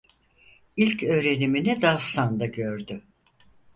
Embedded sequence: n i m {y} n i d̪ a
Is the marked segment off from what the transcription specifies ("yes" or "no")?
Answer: yes